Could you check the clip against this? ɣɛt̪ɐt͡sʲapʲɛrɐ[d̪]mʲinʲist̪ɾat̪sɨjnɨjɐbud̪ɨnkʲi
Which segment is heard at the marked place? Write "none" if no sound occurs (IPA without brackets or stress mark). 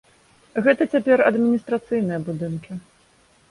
d̪